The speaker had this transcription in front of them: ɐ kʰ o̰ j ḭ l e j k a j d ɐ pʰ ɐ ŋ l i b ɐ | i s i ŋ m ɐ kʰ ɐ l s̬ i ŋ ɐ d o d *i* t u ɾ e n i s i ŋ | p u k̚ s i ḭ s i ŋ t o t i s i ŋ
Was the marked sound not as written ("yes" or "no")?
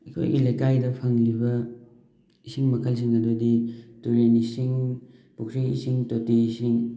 no